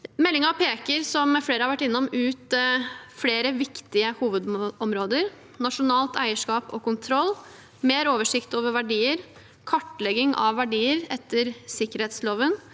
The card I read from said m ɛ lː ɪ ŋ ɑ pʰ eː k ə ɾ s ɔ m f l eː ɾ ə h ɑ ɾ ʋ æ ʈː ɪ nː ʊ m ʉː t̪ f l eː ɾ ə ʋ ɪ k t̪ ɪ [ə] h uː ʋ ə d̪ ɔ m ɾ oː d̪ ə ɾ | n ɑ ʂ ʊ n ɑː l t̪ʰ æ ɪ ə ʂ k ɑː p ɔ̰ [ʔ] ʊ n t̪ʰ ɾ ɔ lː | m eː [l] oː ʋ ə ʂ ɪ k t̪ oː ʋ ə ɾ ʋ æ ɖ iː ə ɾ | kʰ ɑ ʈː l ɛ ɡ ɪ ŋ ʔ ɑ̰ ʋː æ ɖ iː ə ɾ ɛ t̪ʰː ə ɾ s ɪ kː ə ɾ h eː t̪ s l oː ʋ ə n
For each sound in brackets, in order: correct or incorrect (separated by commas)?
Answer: correct, incorrect, incorrect